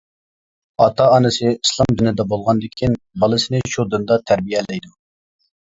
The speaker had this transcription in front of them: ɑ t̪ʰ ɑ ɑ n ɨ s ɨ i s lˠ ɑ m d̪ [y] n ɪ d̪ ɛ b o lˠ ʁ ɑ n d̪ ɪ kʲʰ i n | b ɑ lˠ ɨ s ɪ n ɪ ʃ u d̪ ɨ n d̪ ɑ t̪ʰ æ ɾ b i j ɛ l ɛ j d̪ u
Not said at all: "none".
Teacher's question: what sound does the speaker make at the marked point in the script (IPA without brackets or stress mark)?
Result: y